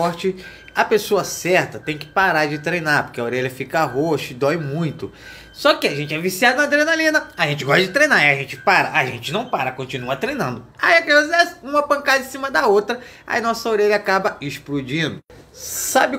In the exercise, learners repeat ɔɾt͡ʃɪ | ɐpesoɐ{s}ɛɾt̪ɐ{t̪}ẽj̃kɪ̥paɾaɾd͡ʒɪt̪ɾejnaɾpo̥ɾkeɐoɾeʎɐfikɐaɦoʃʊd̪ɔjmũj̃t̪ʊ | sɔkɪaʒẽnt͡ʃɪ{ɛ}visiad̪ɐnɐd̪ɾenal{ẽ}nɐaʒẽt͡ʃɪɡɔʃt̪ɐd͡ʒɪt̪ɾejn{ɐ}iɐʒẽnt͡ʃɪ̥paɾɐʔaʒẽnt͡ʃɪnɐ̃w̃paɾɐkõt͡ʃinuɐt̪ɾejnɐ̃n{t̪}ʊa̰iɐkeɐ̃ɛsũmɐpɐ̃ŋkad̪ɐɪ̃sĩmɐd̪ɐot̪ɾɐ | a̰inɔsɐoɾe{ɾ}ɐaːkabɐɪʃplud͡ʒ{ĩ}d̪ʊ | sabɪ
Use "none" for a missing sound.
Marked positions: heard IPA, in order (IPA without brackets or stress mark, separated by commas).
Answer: s, t̪, ɛ, ĩ, a, d̪, ʎ, ĩ